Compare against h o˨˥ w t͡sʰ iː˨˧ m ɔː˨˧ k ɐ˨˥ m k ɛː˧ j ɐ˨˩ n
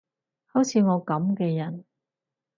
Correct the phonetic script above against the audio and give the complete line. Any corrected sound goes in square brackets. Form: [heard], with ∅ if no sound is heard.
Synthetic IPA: h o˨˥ w t͡sʰ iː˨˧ [ŋ] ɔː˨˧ k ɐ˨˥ m k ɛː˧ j ɐ˨˩ n